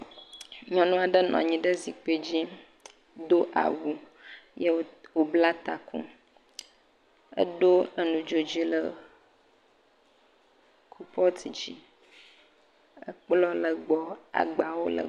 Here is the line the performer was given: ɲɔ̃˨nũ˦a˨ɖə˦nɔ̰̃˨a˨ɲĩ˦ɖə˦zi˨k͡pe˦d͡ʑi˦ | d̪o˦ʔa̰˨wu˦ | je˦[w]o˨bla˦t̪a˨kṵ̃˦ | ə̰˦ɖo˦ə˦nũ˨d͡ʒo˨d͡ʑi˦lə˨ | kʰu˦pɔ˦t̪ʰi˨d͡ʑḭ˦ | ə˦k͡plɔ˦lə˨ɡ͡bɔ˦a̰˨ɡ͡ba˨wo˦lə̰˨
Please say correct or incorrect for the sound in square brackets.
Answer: correct